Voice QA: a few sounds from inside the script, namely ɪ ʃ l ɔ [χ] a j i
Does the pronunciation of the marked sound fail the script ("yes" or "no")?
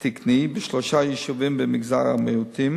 yes